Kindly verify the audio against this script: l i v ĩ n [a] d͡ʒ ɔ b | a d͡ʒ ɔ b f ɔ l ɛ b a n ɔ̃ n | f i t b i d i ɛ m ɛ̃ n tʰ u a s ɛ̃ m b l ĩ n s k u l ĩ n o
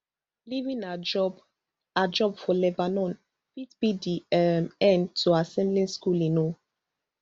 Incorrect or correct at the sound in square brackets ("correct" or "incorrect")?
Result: correct